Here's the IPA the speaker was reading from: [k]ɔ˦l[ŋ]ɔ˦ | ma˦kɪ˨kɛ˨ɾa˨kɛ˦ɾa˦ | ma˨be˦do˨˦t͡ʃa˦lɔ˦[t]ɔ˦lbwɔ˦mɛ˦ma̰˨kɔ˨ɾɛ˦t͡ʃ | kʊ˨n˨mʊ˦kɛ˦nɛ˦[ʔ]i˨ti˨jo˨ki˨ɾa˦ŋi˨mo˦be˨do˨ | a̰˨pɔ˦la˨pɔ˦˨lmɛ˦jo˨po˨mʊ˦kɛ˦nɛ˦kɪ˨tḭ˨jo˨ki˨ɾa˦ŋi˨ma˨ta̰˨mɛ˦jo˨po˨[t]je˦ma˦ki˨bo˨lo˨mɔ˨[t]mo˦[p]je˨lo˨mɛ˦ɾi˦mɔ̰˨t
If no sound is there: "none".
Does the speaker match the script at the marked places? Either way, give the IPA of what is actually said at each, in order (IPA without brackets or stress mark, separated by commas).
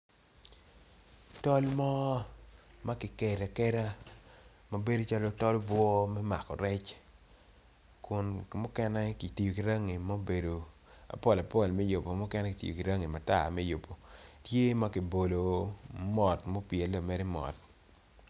t, m, t, k, t, t, p